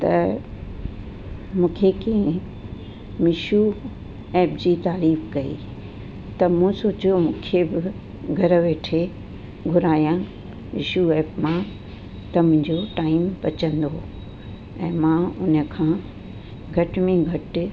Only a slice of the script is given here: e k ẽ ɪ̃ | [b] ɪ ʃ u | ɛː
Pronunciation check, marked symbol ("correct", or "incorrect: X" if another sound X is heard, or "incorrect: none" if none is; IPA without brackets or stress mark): incorrect: m